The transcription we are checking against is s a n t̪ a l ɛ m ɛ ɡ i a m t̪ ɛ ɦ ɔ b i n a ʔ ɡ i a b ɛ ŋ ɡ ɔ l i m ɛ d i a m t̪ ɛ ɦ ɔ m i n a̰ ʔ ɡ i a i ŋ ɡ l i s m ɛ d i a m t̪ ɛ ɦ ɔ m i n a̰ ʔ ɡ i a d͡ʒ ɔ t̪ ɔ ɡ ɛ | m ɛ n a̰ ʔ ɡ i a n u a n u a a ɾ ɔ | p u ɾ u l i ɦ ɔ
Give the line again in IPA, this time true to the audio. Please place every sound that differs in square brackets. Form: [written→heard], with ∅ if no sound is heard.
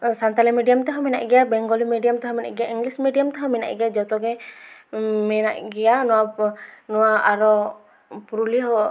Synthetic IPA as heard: s a n t̪ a l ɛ m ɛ [ɡ→d] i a m t̪ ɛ ɦ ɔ [b→m] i n a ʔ ɡ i a b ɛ ŋ ɡ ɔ l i m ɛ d i a m t̪ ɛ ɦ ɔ m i n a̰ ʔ ɡ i a i ŋ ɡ l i s m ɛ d i a m t̪ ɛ ɦ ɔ m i n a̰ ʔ ɡ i a d͡ʒ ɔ t̪ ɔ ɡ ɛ | m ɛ n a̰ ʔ ɡ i a n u a n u a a ɾ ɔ | p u ɾ u l i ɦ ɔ